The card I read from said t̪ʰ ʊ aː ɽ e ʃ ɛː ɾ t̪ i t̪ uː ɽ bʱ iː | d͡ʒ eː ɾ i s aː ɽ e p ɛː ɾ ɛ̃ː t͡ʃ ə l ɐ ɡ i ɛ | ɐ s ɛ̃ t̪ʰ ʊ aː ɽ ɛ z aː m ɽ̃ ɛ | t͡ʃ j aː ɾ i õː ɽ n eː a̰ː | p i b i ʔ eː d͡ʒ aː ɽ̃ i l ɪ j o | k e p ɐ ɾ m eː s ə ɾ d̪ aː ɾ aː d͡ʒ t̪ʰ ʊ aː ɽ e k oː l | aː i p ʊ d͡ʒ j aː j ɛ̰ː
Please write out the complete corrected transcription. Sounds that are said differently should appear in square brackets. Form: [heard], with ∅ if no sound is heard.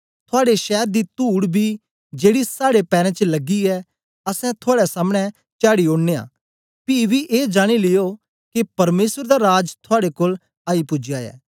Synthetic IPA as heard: t̪ʰ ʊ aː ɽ e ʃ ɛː ɾ [d̪] i t̪ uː ɽ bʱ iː | d͡ʒ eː [ɽ] i s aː ɽ e p ɛː ɾ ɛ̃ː t͡ʃ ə l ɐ ɡ i ɛ | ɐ s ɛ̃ t̪ʰ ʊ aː ɽ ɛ [s] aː m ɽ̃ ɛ | t͡ʃ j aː [ɽ] i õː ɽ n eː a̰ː | p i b i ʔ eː d͡ʒ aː ɽ̃ i l ɪ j o | k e p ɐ ɾ m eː s ə ɾ d̪ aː ɾ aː d͡ʒ t̪ʰ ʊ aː ɽ e k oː l | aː i p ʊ d͡ʒ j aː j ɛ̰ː